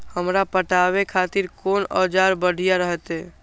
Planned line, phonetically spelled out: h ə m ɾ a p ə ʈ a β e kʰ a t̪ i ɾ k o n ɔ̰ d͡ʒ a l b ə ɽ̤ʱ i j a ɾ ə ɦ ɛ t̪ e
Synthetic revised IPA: h ə m ɾ a p ə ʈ a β e kʰ a t̪ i ɾ k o n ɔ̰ d͡ʒ a ɾ b ə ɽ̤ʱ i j a ɾ ə ɦ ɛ t̪ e